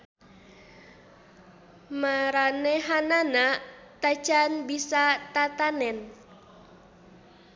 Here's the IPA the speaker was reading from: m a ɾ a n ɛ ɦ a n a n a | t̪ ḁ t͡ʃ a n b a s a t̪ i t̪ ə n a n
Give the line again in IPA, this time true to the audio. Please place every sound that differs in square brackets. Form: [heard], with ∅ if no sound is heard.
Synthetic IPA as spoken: m a ɾ a n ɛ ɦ a n a n a | t̪ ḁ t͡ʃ a n b [i] s a t̪ [a] t̪ [a] n [ɛ] n